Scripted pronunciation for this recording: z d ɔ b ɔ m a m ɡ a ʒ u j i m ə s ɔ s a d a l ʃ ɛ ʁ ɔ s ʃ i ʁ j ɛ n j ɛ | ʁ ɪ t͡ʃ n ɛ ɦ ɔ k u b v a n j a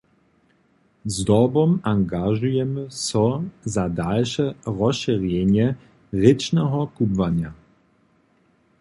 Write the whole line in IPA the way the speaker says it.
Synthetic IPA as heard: z d ɔ b ɔ m a ŋ ɡ a ʒ u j ɛ m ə s ɔ z a d a l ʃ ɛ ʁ ɔ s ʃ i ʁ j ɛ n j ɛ | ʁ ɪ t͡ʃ n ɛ ɦ ɔ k u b v a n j a